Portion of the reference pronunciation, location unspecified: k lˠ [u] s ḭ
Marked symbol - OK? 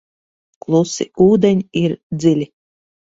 yes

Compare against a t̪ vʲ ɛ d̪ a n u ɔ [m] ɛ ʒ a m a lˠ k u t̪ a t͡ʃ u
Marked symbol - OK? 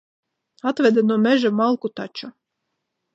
yes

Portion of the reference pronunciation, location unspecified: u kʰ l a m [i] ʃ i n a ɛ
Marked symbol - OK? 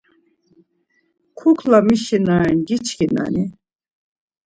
yes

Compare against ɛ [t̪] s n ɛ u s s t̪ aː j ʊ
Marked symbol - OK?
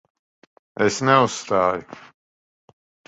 no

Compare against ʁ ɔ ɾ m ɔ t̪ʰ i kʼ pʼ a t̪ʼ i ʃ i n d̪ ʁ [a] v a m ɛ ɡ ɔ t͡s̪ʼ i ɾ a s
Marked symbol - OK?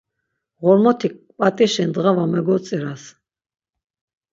yes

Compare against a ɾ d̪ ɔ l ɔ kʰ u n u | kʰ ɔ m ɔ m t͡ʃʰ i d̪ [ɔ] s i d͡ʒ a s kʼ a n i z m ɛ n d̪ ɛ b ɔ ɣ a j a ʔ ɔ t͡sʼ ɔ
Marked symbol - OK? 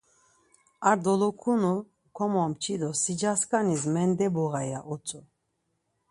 yes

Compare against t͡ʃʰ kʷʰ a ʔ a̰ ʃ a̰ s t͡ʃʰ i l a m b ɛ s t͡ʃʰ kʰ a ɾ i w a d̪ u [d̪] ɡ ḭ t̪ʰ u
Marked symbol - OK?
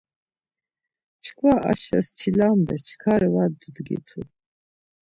yes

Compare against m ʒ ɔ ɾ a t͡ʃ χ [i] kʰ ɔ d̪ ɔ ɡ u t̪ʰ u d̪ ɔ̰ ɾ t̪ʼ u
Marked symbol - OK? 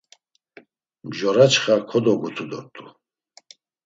no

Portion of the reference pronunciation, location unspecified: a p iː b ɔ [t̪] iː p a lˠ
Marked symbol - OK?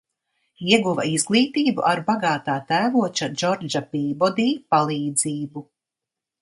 no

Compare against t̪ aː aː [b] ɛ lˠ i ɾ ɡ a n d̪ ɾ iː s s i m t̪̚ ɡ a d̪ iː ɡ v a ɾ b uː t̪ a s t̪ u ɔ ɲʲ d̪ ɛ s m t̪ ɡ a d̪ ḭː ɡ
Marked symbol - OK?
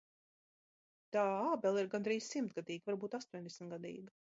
yes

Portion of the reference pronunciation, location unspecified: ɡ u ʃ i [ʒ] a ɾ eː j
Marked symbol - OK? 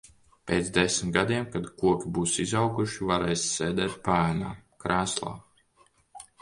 no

